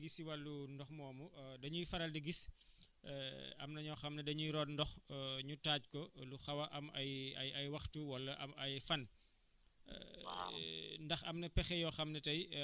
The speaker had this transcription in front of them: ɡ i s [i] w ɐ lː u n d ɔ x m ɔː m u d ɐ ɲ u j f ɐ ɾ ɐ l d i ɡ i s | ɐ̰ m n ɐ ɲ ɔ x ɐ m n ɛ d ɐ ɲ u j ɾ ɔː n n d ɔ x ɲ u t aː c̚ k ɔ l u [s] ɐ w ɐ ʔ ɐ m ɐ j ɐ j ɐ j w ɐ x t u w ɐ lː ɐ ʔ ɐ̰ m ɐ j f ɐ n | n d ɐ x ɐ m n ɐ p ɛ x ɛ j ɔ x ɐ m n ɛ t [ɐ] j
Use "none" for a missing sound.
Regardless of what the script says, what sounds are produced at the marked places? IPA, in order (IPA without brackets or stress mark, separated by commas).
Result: i, x, ɐ